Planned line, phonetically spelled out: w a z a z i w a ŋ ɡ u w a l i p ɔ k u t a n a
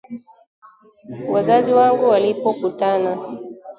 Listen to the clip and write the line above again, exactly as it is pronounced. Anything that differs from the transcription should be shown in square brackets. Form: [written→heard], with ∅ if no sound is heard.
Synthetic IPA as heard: w a z a z i w a ŋ ɡ u w a l i p ɔ k u t a n a